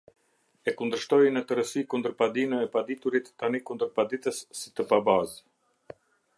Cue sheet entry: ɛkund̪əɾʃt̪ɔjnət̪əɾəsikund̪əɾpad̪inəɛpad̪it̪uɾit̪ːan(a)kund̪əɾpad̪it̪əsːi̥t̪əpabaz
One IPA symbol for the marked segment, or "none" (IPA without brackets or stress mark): i